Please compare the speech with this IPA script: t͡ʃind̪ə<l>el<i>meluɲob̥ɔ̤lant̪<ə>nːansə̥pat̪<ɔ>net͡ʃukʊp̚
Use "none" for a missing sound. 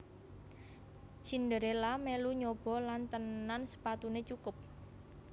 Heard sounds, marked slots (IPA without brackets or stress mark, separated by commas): ɾ, a, ə, u